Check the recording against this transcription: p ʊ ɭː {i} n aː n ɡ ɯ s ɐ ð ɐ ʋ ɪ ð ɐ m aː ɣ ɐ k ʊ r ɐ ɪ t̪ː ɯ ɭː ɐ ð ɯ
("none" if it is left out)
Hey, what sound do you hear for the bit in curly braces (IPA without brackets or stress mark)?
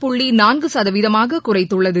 i